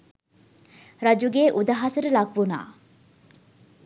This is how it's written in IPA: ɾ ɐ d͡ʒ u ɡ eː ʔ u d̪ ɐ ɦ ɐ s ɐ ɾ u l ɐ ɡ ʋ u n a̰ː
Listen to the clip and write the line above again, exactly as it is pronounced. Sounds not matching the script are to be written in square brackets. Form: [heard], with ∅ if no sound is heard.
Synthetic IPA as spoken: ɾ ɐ d͡ʒ u ɡ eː ʔ u d̪ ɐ ɦ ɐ s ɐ ɾ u l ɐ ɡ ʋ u n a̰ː